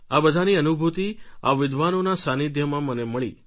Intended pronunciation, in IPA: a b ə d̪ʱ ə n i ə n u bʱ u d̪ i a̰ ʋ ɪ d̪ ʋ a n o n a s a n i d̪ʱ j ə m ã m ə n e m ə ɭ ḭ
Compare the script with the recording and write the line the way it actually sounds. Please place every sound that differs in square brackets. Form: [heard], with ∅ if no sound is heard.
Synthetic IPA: a b ə d̪ʱ [a] n i ə n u bʱ u [t̪] i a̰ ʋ ɪ d̪ ʋ a n o n a s a n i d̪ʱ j ə m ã m ə n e m ə ɭ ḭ